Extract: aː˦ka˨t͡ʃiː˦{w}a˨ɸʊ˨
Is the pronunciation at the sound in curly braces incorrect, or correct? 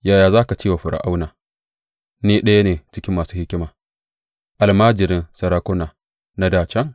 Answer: correct